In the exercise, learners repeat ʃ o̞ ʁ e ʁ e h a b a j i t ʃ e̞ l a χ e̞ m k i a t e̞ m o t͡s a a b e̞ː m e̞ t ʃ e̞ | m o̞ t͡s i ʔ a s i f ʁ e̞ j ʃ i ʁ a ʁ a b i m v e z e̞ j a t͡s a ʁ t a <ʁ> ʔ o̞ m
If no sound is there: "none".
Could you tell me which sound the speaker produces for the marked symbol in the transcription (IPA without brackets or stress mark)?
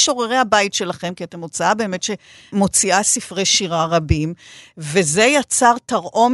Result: ʁ